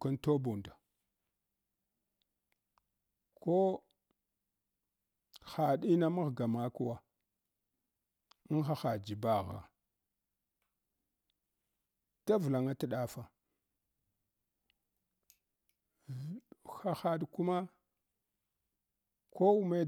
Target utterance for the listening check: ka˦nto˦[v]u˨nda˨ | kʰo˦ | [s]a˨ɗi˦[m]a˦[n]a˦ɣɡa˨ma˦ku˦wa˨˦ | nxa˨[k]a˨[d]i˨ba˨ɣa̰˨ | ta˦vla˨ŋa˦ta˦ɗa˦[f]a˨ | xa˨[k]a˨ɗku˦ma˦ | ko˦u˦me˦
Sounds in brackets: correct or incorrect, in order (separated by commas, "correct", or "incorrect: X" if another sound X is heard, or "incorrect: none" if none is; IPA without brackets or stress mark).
incorrect: b, incorrect: x, incorrect: n, incorrect: m, incorrect: x, incorrect: d͡ʒ, correct, incorrect: x